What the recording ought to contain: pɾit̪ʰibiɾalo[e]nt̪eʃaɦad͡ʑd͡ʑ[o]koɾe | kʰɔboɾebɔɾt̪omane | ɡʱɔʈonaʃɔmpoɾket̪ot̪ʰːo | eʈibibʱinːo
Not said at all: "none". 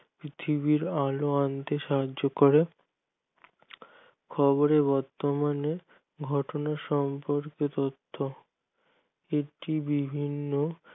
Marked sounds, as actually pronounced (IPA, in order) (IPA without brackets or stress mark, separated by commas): a, o